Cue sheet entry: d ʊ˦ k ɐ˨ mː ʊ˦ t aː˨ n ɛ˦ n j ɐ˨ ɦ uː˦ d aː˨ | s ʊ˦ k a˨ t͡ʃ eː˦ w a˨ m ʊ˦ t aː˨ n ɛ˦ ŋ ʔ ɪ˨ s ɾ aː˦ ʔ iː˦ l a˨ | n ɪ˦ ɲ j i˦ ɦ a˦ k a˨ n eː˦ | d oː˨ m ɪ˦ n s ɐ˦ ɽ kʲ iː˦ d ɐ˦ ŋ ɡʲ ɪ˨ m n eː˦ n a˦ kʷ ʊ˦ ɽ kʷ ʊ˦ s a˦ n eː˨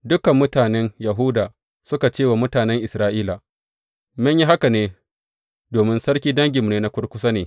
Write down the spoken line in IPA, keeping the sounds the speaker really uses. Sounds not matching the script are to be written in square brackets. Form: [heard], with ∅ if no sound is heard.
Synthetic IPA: d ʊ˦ k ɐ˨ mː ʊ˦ t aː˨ n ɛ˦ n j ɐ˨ ɦ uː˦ d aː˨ | s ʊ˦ k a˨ t͡ʃ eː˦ w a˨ m ʊ˦ t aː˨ n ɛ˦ ŋ ʔ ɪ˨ s ɾ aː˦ ʔ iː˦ l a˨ | [m] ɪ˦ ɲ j i˦ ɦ a˦ k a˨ n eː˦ | d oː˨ m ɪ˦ n s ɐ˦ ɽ kʲ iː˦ d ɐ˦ ŋ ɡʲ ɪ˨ m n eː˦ n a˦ kʷ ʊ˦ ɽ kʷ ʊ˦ s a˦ n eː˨

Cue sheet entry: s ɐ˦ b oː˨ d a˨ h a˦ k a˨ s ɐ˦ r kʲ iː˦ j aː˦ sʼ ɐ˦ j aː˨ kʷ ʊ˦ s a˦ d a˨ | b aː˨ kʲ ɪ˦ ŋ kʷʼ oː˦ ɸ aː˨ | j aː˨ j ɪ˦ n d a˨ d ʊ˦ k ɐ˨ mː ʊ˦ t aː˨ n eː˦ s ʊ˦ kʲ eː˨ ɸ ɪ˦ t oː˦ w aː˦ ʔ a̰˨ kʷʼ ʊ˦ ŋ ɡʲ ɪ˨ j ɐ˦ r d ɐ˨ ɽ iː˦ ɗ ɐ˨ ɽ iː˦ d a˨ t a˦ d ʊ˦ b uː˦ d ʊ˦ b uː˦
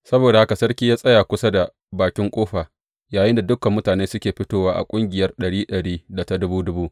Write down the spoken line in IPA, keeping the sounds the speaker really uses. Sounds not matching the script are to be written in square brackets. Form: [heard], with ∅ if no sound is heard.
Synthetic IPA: s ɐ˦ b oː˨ d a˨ h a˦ k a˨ s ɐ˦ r kʲ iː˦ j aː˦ sʼ ɐ˦ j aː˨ kʷ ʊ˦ s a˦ d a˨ | b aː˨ kʲ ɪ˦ ŋ kʷʼ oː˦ ɸ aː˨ | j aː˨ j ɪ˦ n d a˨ d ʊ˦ k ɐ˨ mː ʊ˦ t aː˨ n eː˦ s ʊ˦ kʲ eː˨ ɸ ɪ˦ t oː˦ w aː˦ ʔ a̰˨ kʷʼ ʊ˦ ŋ ɡʲ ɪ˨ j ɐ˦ r [ɗ] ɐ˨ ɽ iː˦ ɗ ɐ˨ ɽ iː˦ d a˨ t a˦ d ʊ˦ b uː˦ d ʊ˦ b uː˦

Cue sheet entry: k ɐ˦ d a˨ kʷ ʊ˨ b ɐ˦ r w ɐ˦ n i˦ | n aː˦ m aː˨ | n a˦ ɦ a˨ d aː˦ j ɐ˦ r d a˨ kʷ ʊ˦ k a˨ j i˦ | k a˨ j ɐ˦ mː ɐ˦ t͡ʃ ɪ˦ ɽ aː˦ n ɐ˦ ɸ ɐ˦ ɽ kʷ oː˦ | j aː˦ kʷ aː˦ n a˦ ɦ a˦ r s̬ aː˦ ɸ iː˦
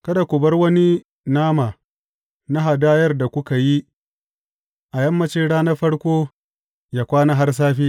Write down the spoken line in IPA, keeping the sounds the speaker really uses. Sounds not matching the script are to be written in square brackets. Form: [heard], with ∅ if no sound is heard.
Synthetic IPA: k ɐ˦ d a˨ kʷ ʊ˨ b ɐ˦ r w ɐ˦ n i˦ | n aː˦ m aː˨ | n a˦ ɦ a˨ d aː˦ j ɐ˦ r d a˨ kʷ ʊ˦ k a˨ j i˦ | [ʔ] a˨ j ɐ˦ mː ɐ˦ t͡ʃ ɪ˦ ɽ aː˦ n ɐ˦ ɸ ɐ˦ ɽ kʷ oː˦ | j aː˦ kʷ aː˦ n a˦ ɦ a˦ r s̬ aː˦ ɸ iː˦

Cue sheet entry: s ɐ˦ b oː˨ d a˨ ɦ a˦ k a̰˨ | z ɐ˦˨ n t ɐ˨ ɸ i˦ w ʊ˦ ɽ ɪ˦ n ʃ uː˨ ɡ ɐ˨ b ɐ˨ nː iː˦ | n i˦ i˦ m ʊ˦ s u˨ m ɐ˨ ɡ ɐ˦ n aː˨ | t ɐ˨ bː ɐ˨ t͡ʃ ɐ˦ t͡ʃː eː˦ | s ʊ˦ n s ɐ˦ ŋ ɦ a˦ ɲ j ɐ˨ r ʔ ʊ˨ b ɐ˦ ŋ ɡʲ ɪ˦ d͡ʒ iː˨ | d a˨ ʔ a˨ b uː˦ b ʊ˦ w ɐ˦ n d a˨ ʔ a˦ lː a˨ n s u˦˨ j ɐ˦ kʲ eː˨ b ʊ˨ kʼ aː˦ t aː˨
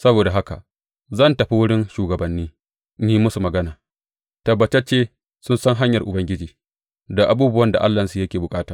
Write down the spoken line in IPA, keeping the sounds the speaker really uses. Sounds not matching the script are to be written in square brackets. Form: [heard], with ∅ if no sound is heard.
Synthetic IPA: s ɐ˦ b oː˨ d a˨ ɦ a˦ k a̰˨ | z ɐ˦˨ n t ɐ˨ ɸ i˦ w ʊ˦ ɽ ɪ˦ n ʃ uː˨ ɡ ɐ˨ b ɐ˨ nː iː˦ | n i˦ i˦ m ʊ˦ s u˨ m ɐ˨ ɡ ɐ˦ n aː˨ | t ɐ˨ bː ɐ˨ t͡ʃ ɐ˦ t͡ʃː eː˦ | s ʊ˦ n s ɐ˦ ŋ ɦ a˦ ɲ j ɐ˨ r ʔ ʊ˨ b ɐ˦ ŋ ɡʲ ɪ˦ d͡ʒ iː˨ | d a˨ ʔ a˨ b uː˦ b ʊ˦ w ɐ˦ n d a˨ ʔ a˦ lː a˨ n s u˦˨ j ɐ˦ kʲ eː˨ b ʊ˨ kʼ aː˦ t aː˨

